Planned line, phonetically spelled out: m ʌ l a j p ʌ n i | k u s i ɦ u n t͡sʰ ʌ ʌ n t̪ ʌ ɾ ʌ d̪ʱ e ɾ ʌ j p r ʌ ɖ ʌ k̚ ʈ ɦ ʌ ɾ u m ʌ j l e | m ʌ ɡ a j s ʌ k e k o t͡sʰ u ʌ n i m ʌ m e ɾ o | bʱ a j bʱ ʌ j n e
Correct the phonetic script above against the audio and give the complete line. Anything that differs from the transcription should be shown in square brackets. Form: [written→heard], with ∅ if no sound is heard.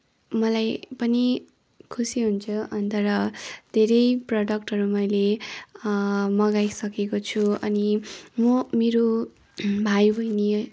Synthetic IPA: m ʌ l a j p ʌ n i | [k→kʰ] u s i ɦ u n t͡sʰ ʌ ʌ n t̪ ʌ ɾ ʌ d̪ʱ e ɾ ʌ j p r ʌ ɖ ʌ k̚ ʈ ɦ ʌ ɾ u m ʌ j l e | m ʌ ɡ a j s ʌ k e k o t͡sʰ u ʌ n i m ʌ m e ɾ o | bʱ a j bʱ ʌ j n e